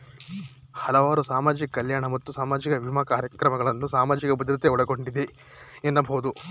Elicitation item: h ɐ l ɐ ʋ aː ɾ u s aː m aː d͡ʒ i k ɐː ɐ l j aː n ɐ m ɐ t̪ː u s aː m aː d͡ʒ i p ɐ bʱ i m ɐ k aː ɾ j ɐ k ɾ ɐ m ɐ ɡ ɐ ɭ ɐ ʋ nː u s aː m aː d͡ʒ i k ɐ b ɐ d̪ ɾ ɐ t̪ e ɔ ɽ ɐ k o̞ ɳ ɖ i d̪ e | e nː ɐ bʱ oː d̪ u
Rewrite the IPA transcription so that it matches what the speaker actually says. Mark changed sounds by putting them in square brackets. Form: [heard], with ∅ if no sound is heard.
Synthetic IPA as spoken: h ɐ l ɐ ʋ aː ɾ u s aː m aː d͡ʒ i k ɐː ɐ l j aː [ɳ] ɐ m ɐ t̪ː u s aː m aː d͡ʒ i [k] ɐ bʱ i m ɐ k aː ɾ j ɐ k ɾ ɐ m ɐ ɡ ɐ ɭ ɐ [∅] nː u s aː m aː d͡ʒ i k ɐ b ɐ d̪ ɾ ɐ t̪ e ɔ ɽ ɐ [ɡ] o̞ ɳ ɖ i d̪ e | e nː ɐ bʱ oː d̪ u